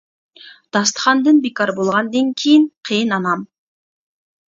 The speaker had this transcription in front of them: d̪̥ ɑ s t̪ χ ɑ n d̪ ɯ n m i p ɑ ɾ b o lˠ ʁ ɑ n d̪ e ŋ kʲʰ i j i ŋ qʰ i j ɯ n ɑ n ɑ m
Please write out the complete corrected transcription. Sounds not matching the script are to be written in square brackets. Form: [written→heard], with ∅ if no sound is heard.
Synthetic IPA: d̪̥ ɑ s t̪ χ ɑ n d̪ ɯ n [m→b] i [p→k] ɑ ɾ b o lˠ ʁ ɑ n d̪ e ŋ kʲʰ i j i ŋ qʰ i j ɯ n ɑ n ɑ m